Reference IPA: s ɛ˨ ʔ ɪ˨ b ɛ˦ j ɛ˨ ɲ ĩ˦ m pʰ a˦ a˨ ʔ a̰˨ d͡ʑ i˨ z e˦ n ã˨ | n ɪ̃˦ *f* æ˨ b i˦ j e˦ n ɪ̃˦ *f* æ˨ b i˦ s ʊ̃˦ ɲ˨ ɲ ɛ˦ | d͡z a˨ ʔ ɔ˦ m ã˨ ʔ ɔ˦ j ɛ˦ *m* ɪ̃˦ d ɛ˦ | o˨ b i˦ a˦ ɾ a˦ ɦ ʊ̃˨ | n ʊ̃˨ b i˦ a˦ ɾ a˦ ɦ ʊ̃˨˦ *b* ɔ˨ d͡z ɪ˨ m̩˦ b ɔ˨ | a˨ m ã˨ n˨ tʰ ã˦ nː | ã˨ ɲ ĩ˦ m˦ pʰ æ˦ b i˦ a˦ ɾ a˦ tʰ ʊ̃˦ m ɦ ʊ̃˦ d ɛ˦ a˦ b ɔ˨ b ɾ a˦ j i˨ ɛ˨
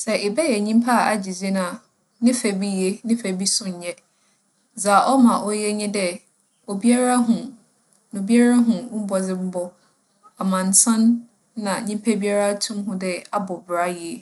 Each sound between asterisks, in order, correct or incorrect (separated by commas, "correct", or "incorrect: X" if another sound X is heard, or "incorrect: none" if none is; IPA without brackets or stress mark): correct, correct, incorrect: ɲ, correct